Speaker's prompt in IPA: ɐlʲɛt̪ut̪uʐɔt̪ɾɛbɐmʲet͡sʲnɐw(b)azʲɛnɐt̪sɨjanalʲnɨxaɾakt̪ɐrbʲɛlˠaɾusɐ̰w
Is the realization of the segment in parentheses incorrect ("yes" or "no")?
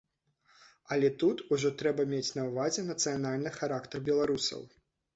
yes